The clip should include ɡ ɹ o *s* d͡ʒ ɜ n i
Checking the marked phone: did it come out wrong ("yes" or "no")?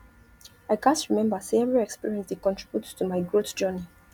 yes